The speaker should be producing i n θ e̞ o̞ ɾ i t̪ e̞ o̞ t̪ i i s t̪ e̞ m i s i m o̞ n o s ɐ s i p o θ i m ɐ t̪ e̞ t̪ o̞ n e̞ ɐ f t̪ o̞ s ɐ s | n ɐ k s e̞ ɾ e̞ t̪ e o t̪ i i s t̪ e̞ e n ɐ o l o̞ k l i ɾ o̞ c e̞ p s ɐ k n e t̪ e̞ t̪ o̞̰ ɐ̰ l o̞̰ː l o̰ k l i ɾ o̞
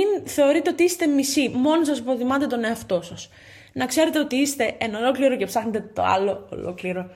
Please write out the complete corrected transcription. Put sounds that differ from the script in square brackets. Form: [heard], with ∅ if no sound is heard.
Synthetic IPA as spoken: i n θ e̞ o̞ ɾ i t̪ e̞ o̞ t̪ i i s t̪ e̞ m i s i m o̞ n o s ɐ s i p o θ i m ɐ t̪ e̞ t̪ o̞ n e̞ ɐ f t̪ o̞ s ɐ s | n ɐ k s e̞ ɾ e̞ t̪ e o t̪ i i s t̪ e̞ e n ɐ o l o̞ k l i ɾ o̞ c e̞ p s ɐ [x] n e t̪ e̞ t̪ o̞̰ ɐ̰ l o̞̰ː l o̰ k l i ɾ o̞